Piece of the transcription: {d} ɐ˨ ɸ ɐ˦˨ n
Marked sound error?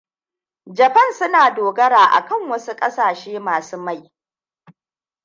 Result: yes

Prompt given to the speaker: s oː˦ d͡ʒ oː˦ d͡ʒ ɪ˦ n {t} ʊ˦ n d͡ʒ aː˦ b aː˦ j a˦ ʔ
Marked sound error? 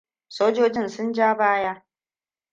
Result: yes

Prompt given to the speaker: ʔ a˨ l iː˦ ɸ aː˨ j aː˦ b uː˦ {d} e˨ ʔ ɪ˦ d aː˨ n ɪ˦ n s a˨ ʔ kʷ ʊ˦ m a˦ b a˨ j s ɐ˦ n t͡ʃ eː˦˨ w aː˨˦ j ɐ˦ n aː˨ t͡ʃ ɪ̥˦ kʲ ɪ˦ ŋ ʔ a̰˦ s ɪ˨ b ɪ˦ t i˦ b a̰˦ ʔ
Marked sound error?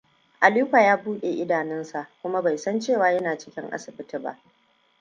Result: yes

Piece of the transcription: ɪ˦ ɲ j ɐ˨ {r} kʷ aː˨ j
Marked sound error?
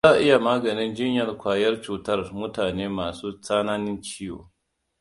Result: no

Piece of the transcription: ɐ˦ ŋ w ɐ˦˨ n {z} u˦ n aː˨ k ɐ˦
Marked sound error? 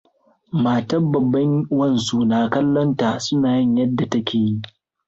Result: yes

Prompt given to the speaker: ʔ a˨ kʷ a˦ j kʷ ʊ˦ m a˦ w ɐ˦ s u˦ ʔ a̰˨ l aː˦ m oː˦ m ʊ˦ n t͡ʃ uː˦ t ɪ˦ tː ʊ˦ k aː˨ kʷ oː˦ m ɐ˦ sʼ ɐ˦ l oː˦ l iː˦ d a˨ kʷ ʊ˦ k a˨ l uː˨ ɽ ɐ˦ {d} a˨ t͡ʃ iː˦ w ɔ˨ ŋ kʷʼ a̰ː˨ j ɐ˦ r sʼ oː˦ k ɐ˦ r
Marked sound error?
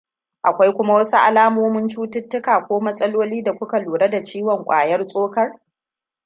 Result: no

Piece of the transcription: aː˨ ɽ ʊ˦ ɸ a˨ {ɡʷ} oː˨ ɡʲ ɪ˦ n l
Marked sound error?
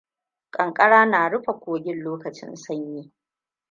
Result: yes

